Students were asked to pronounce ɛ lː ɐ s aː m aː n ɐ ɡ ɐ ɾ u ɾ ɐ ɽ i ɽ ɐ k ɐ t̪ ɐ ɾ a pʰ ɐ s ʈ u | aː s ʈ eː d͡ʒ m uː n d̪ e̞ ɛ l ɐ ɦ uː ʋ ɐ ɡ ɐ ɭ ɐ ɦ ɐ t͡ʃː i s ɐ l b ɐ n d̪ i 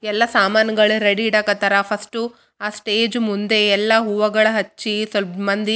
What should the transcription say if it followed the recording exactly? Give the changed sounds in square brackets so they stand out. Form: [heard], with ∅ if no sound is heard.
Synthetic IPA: ɛ lː ɐ s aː m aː n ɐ ɡ ɐ [ɭ] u ɾ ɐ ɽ i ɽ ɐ k ɐ t̪ ɐ ɾ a pʰ ɐ s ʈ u | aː s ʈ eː d͡ʒ m [u] n d̪ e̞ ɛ [lː] ɐ ɦ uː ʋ ɐ ɡ ɐ ɭ ɐ ɦ ɐ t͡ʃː i s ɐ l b ɐ n d̪ i